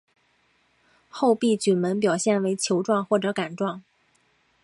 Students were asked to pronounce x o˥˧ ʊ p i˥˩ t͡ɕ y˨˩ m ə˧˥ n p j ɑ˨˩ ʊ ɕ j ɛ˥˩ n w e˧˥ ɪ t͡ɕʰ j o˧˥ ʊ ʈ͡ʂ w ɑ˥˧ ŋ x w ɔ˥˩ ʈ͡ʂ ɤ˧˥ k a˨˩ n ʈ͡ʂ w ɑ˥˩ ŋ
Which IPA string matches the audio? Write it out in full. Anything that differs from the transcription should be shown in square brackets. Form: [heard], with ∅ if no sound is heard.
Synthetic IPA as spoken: x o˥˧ ʊ p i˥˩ t͡ɕ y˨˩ m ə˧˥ n p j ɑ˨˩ ʊ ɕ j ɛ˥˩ n w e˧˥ ɪ t͡ɕʰ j o˧˥ ʊ ʈ͡ʂ w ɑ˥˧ ŋ x w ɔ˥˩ ʈ͡ʂ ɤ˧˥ k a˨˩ n ʈ͡ʂ w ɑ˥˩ ŋ